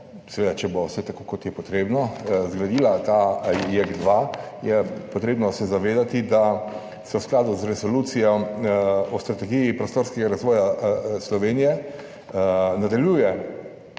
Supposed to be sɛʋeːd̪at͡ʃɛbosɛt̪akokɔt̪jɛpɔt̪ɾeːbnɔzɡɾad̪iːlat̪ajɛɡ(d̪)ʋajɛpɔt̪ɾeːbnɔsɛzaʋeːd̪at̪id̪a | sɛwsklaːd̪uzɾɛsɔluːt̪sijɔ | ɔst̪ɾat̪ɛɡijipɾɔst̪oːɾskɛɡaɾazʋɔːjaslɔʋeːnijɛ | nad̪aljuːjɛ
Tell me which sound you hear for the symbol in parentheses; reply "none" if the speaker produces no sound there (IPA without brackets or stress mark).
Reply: d̪